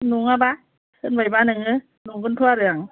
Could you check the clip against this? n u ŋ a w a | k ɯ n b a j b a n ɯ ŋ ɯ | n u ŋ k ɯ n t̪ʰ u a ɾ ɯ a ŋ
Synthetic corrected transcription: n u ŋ a b a | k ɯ n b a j b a n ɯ ŋ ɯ | n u ŋ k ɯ n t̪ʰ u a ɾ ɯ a ŋ